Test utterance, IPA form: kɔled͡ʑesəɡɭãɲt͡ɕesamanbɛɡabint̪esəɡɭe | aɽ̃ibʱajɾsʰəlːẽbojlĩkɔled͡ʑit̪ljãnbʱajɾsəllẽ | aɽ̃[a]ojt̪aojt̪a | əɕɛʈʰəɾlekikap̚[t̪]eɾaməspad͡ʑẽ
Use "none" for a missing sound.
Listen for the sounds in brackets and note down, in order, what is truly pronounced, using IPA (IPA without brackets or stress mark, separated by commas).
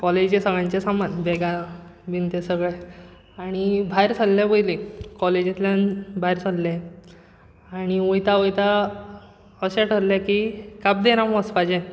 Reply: i, d̪